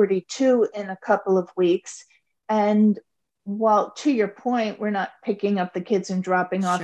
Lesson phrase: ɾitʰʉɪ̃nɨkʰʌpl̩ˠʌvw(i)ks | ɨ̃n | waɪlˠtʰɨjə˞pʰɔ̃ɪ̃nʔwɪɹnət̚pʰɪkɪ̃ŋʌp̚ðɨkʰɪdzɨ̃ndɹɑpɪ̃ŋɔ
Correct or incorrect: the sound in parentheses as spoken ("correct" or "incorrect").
correct